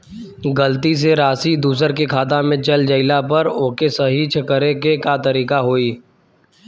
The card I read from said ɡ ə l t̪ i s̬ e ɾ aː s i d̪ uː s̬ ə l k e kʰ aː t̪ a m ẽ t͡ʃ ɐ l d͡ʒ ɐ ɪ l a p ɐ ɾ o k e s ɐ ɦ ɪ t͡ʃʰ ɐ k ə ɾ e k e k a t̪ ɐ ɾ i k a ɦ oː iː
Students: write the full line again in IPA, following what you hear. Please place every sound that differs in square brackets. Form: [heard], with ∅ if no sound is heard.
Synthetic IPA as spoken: ɡ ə l t̪ i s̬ e ɾ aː s i d̪ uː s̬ ə [ɾ] k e kʰ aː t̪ a m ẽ t͡ʃ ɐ l d͡ʒ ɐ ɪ l a p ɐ ɾ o k e s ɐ ɦ [i] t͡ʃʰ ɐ k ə ɾ e k e k a t̪ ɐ ɾ [iː] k a ɦ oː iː